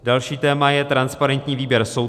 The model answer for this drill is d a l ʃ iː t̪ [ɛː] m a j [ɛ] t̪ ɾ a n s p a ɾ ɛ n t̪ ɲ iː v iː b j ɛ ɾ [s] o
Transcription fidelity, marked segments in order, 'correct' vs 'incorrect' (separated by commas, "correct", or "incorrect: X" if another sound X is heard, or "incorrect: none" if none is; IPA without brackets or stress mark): correct, correct, correct